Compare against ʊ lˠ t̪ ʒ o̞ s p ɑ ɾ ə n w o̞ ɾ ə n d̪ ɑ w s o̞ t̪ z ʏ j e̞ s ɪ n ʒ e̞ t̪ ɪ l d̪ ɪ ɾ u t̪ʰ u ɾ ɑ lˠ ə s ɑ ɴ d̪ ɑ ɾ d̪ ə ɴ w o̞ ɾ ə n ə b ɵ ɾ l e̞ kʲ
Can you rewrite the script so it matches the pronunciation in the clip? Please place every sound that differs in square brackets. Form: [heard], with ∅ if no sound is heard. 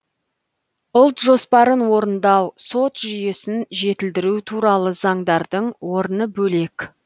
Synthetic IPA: ʊ lˠ t̪ ʒ o̞ s p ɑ ɾ ə n w o̞ ɾ ə n d̪ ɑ w s o̞ t̪ [ʒ] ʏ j e̞ s ɪ n ʒ e̞ t̪ ɪ l d̪ ɪ ɾ u t̪ʰ u ɾ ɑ lˠ ə [z] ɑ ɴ d̪ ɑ ɾ d̪ ə ɴ w o̞ ɾ ə n ə b ɵ [∅] l e̞ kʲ